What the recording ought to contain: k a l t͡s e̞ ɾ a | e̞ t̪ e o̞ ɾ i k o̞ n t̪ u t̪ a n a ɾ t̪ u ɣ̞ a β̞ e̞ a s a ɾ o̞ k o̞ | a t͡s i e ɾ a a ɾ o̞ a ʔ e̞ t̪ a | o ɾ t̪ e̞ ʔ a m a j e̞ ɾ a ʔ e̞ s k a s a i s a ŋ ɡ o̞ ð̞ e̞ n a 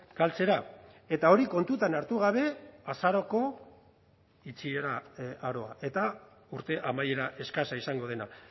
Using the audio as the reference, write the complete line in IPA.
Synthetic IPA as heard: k a l t͡s e̞ ɾ a | e̞ t̪ a o̞ ɾ i k o̞ n t̪ u t̪ a n a ɾ t̪ u ɣ̞ a β̞ e̞ a s a ɾ o̞ k o̞ | i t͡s i e ɾ a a ɾ o̞ a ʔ e̞ t̪ a | u ɾ t̪ e̞ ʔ a m a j e̞ ɾ a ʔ e̞ s k a s a i s a ŋ ɡ o̞ ð̞ e̞ n a